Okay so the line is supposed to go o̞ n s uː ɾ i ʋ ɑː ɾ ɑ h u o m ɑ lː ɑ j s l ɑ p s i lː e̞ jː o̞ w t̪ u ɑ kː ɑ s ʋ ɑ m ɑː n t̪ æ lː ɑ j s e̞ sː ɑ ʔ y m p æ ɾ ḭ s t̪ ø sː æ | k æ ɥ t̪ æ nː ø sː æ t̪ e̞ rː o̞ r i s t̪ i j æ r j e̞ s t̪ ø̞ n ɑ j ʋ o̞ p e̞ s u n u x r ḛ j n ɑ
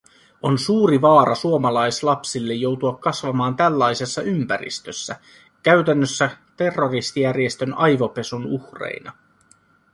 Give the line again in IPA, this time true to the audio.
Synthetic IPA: o̞ n s uː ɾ i ʋ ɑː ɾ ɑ s u o m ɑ l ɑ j s l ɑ p s i lː e̞ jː o̞ w t̪ u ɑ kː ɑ s ʋ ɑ m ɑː n t̪ æ lː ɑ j s e̞ sː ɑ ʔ y m p æ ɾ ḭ s t̪ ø sː æ | k æ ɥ t̪ æ nː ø sː æ t̪ e̞ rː o̞ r i s t̪ i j æ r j e̞ s t̪ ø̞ n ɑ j ʋ o̞ p e̞ s u n u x r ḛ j n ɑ